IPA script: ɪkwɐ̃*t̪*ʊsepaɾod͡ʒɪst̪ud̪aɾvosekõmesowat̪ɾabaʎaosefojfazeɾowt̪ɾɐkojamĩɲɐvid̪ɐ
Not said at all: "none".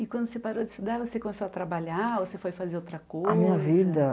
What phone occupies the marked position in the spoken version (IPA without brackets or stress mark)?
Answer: d̪